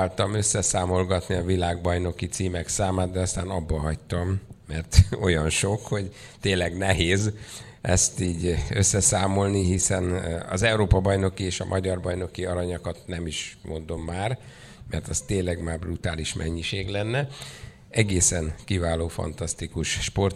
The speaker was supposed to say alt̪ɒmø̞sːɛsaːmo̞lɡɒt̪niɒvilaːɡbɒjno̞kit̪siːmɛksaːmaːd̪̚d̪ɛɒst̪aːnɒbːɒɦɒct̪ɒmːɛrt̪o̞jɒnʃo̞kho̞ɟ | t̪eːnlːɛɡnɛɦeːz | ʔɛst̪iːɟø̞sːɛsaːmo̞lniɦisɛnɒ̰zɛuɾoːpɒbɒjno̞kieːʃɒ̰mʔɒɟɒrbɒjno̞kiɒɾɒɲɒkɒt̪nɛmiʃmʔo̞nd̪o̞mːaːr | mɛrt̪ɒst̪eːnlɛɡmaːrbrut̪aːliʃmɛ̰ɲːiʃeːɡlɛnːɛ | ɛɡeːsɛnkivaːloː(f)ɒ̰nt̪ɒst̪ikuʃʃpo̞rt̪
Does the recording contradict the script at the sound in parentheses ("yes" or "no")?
no